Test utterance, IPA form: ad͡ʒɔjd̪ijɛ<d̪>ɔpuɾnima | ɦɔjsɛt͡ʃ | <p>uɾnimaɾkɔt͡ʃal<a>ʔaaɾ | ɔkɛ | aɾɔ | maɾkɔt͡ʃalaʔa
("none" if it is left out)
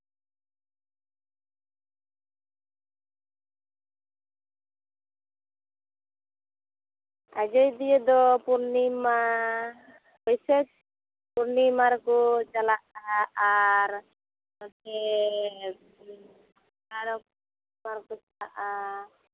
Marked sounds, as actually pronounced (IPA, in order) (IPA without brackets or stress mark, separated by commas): d̪, p, a